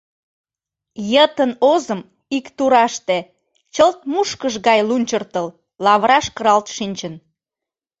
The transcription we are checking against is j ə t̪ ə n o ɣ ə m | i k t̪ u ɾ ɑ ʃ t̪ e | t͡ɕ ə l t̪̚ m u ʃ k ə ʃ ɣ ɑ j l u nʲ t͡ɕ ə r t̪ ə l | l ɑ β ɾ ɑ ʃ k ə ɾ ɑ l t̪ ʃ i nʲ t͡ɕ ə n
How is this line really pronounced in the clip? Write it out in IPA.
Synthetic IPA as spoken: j ə t̪ ə n o z ə m | i k t̪ u ɾ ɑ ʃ t̪ e | t͡ɕ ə l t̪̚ m u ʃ k ə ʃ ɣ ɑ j l u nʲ t͡ɕ ə r t̪ ə l | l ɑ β ɾ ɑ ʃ k ə ɾ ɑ l t̪ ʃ i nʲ t͡ɕ ə n